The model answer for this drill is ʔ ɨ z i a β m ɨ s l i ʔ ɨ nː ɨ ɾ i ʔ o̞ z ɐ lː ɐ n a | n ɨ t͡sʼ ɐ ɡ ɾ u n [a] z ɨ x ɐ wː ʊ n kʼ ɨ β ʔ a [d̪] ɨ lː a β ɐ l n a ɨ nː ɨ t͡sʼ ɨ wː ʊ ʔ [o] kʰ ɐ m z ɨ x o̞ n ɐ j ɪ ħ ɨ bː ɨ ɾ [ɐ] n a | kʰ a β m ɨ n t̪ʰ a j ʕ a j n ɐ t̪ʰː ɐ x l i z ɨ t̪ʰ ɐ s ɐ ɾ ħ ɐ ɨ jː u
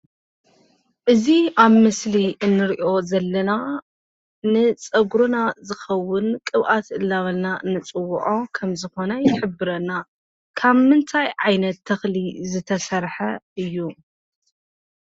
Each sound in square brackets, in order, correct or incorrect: correct, incorrect: t̪, correct, correct

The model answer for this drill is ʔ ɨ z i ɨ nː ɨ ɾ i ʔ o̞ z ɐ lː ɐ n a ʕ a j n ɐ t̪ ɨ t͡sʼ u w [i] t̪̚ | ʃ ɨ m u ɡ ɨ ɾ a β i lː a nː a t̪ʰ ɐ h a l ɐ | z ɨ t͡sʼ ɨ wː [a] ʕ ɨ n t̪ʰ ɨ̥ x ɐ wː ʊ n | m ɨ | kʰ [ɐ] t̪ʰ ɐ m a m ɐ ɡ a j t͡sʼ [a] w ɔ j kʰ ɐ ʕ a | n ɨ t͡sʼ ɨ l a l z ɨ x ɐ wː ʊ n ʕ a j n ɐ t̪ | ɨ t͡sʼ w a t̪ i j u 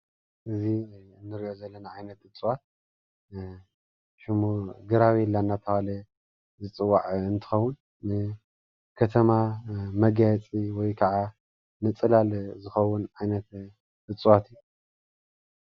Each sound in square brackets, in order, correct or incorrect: incorrect: a, correct, correct, incorrect: i

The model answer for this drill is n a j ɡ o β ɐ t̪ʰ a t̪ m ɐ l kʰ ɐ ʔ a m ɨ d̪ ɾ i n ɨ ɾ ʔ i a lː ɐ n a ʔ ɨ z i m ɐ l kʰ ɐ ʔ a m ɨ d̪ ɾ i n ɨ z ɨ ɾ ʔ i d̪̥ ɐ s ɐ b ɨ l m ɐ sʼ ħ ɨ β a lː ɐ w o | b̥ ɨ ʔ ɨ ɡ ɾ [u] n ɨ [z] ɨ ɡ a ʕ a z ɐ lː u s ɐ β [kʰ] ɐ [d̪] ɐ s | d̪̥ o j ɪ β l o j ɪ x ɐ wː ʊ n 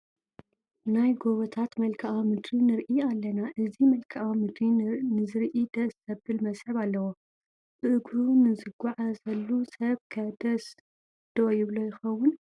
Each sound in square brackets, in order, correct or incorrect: correct, correct, correct, correct

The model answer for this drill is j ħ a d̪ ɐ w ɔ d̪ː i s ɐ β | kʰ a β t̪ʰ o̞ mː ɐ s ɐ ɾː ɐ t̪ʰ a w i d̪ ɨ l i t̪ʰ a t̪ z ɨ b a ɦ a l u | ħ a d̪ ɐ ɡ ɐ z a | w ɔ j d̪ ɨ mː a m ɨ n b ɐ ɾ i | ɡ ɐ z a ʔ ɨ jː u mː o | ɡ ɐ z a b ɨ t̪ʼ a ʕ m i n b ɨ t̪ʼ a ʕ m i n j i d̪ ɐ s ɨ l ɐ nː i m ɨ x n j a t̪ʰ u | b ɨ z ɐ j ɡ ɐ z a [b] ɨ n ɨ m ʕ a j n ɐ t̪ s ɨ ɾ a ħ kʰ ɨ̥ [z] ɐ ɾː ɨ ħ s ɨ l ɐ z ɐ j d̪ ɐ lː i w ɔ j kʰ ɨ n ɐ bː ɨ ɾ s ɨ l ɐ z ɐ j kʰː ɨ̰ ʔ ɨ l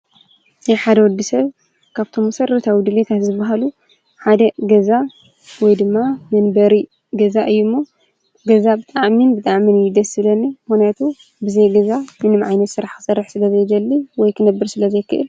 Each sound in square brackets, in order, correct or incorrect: incorrect: m, incorrect: s

